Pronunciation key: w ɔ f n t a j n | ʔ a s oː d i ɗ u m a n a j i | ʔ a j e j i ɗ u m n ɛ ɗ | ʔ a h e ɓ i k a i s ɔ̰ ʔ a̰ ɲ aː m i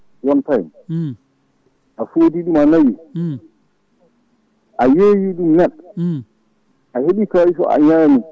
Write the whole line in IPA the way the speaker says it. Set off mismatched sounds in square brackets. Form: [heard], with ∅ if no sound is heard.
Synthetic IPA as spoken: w ɔ [∅] n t a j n | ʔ a [f] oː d i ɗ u m a n a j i | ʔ a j e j i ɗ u m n ɛ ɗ | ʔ a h e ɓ i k a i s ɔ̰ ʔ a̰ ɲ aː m i